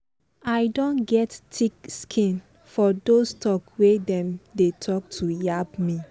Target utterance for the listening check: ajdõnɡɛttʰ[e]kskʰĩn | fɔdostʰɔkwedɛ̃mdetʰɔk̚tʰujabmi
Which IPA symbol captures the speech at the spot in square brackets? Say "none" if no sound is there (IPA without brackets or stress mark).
i